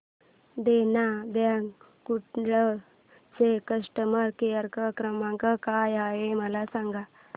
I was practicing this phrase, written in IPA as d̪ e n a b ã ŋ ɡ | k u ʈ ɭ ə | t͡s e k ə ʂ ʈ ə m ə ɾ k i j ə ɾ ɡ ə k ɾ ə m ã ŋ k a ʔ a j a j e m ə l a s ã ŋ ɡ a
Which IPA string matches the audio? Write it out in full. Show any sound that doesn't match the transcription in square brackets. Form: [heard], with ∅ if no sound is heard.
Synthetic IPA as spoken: d̪ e n a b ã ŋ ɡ | k u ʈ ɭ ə | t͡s e k ə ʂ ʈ ə m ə ɾ k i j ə ɾ [k] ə k ɾ ə m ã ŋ k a [k] a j a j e m ə l a s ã ŋ ɡ a